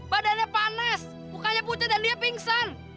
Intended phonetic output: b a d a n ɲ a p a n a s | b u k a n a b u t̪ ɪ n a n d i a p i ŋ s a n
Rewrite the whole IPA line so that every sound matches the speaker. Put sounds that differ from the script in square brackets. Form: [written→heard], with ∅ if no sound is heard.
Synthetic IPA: b a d a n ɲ a p a n a s | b u k a [n→ɲ] a [b→p] u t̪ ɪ [n→d] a n d i a p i ŋ s a n